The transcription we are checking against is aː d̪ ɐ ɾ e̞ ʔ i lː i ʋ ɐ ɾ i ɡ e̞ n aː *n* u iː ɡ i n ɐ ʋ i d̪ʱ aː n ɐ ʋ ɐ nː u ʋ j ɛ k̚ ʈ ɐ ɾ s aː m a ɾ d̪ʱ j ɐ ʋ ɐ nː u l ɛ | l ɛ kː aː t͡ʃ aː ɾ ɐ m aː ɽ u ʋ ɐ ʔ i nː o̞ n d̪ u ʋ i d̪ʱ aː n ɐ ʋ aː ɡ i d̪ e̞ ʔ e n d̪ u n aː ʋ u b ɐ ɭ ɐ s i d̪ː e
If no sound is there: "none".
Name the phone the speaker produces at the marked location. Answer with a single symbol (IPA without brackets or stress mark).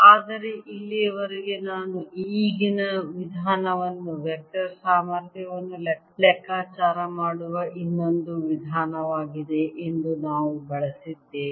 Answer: n